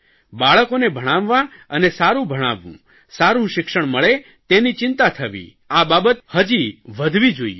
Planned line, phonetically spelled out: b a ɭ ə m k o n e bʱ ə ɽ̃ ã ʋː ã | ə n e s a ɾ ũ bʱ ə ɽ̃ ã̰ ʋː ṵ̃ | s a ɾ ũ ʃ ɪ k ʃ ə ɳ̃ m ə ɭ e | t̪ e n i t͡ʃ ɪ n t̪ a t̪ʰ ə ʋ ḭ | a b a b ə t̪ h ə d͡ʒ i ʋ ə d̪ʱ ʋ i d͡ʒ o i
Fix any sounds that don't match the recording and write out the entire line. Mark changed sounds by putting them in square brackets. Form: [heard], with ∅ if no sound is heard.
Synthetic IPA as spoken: b a ɭ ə [∅] k o n e bʱ ə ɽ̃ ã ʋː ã | ə n e s a ɾ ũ bʱ ə ɽ̃ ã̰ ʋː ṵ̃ | s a ɾ ũ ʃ ɪ k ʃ ə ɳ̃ m ə ɭ e | t̪ e n i t͡ʃ ɪ n t̪ a t̪ʰ ə ʋ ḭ | a b a b ə t̪ h ə d͡ʒ i ʋ ə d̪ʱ ʋ i d͡ʒ o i